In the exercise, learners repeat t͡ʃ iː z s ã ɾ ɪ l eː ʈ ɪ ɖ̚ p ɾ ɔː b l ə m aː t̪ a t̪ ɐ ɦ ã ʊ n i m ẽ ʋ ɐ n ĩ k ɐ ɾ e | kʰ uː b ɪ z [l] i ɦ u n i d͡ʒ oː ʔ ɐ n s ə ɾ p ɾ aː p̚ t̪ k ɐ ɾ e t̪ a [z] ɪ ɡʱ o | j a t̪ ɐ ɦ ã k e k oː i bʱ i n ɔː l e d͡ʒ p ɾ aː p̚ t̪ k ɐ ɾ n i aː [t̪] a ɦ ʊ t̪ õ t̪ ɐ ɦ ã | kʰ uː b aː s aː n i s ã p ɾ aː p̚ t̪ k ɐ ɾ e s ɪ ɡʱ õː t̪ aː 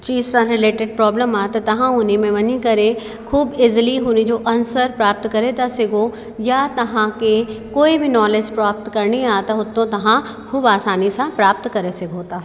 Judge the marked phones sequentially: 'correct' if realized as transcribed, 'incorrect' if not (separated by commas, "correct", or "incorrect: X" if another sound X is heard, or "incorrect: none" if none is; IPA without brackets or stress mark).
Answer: correct, incorrect: s, correct